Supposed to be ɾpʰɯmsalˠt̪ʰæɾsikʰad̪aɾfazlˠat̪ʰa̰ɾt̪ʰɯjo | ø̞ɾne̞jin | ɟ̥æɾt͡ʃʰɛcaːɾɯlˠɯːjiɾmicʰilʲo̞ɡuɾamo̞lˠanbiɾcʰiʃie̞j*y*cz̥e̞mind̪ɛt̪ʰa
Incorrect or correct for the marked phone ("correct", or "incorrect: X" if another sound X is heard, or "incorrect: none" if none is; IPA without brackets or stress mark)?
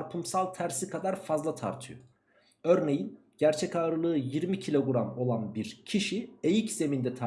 incorrect: i